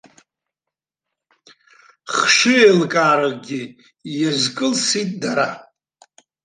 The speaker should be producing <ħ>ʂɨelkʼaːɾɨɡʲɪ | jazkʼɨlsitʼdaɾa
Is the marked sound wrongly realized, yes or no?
yes